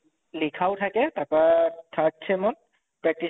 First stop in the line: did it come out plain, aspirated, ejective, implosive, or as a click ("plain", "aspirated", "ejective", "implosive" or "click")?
aspirated